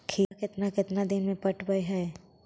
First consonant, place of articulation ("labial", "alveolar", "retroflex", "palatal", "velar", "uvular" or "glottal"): velar